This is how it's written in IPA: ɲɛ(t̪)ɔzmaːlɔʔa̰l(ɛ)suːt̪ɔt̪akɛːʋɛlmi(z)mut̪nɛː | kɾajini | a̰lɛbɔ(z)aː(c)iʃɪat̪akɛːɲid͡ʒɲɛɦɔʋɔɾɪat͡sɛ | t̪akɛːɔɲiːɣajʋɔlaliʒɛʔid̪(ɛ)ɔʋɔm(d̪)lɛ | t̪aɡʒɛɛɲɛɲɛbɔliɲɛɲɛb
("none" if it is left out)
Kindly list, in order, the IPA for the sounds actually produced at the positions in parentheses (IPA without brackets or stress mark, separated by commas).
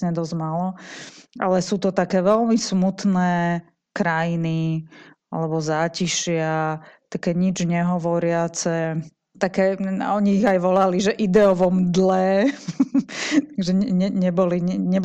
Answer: d̪, ɛ, s, z, c, ɛ, d̪